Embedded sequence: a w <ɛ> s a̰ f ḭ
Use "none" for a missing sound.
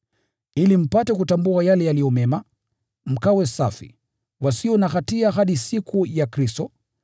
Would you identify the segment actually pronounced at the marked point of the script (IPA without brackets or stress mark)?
ɛ